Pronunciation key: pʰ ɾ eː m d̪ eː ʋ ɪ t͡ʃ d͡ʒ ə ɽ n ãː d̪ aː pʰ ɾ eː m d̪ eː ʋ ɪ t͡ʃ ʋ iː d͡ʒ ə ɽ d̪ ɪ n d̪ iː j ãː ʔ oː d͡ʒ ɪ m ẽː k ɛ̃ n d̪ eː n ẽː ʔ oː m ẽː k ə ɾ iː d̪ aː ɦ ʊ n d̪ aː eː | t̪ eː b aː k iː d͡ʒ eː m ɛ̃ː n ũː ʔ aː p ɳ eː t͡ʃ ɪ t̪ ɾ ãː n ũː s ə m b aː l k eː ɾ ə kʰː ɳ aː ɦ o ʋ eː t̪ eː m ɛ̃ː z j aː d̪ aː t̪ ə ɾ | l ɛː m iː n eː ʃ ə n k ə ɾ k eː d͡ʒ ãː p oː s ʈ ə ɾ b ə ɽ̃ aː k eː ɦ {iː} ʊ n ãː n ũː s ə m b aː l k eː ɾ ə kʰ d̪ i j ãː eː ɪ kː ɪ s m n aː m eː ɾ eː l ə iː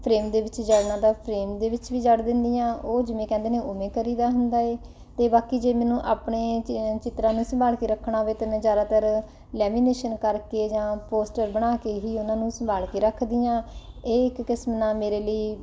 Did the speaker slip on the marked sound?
no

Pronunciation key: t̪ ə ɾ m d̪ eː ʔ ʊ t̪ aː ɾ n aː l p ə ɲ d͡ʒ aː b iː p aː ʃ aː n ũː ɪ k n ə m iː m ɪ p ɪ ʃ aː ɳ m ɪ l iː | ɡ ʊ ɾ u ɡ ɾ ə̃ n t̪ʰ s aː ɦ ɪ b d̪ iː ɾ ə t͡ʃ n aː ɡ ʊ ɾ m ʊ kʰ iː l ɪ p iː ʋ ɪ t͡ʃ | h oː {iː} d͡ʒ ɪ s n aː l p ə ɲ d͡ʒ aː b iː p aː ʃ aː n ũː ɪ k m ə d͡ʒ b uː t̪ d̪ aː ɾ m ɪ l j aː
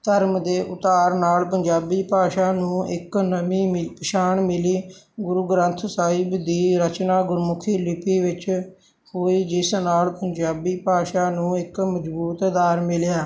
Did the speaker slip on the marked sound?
no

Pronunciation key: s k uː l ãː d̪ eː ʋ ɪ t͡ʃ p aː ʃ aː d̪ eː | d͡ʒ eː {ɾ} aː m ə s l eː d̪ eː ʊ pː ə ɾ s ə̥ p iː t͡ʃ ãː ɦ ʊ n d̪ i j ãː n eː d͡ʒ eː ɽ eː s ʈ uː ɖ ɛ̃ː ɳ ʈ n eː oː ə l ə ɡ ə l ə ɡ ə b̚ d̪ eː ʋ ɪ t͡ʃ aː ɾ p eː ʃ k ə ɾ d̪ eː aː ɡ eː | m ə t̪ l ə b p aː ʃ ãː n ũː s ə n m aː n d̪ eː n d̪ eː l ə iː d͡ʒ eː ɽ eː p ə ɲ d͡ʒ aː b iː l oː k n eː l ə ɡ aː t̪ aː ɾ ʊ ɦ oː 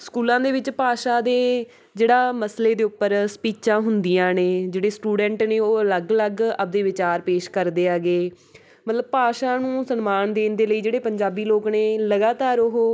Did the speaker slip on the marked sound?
yes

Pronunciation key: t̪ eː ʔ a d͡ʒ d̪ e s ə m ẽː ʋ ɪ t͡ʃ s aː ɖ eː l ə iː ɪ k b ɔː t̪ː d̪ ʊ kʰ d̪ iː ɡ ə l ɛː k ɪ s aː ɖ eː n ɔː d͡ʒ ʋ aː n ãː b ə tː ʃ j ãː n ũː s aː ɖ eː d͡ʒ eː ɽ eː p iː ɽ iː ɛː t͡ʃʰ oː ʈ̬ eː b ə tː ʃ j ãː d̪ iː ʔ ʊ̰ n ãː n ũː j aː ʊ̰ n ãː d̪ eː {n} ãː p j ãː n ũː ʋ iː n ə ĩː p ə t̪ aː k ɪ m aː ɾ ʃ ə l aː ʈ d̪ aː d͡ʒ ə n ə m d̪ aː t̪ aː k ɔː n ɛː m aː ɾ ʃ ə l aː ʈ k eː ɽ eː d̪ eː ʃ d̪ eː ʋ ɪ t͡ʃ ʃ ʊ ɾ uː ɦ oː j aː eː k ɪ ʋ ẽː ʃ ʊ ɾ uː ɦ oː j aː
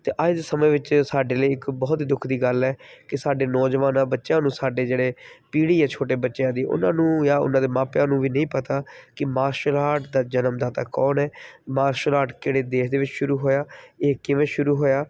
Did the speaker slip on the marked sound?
yes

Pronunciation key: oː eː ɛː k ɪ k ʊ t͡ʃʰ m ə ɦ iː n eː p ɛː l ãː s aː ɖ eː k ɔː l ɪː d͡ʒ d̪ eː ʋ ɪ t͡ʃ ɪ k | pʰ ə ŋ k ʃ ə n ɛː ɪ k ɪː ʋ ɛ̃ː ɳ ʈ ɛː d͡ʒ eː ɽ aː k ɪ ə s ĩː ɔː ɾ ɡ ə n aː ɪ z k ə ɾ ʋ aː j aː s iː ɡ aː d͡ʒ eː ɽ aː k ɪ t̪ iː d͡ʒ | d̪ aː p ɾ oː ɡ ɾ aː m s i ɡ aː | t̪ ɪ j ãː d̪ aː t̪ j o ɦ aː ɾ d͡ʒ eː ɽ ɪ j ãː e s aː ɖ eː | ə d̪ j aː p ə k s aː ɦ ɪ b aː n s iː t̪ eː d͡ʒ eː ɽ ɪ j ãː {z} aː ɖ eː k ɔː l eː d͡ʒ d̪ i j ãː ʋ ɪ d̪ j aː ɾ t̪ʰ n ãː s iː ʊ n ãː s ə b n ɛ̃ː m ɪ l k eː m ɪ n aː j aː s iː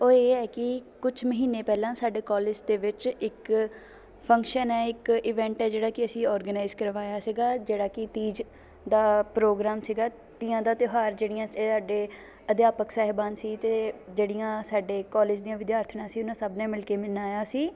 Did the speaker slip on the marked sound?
yes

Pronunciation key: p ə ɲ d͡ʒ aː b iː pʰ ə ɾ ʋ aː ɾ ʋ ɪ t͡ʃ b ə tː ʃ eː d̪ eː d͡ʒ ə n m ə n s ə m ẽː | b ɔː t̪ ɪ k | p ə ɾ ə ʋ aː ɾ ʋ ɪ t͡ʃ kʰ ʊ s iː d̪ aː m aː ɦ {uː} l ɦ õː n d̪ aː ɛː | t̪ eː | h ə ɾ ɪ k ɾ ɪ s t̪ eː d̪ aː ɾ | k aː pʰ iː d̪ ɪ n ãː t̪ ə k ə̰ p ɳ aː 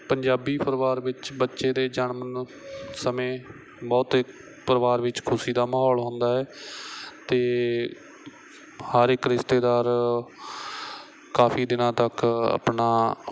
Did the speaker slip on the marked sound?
yes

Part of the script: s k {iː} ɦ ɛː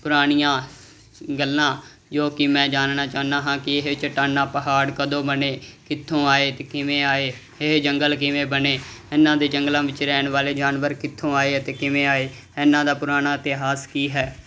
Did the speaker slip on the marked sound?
no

